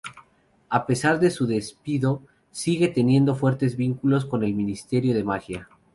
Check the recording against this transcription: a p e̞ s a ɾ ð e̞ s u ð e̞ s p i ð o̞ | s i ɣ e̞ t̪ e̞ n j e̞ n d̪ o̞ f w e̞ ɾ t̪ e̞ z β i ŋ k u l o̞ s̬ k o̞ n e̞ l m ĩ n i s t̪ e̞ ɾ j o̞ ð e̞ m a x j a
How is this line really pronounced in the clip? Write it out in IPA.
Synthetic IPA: a p e̞ s a ɾ ð e̞ s u ð e̞ s p i ð o̞ | s i ɣ e̞ t̪ e̞ n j e̞ n d̪ o̞ f w e̞ ɾ t̪ e̞ z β i ŋ k u l o̞ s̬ k o̞ n e̞ l m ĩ n i s t̪ e̞ ɾ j o̞ ð e̞ m a x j a